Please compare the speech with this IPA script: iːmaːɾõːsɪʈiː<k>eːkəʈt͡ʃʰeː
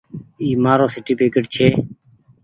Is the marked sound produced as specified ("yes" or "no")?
no